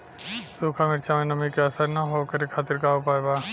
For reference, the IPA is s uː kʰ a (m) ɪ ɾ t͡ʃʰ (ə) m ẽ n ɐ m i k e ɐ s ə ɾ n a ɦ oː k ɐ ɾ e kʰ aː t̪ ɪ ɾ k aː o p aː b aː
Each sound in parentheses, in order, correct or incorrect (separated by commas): correct, incorrect